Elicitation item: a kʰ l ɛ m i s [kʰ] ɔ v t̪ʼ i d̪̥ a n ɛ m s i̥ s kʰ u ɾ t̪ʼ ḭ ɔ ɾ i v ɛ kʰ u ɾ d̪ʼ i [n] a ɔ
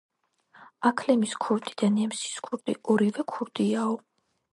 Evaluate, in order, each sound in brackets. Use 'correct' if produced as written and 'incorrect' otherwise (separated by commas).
correct, incorrect